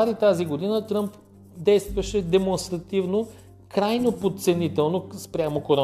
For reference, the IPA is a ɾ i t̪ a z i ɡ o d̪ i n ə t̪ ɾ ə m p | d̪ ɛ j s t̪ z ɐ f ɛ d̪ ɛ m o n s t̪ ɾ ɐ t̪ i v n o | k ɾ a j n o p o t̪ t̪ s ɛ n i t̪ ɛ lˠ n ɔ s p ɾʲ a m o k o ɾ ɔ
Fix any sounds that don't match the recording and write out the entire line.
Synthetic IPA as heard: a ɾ i t̪ a z i ɡ o d̪ i n ə t̪ ɾ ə m p | d̪ ɛ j s t̪ v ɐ ʃ ɛ d̪ ɛ m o n s t̪ ɾ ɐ t̪ i v n o | k ɾ a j n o p o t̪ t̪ s ɛ n i t̪ ɛ lˠ n o s p ɾʲ a m o k o ɾ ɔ